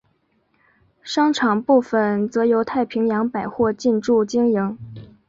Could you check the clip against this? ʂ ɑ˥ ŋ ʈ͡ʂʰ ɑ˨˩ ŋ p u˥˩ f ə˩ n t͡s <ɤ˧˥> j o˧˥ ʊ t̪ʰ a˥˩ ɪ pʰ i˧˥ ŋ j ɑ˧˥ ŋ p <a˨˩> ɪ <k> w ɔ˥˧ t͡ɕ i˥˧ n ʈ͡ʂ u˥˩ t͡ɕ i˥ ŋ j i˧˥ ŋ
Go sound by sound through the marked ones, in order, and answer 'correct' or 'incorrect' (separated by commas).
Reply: correct, correct, incorrect